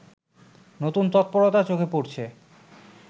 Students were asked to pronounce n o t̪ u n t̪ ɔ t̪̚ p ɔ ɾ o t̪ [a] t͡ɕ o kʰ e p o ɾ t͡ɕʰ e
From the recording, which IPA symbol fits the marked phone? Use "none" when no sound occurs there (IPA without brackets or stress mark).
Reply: a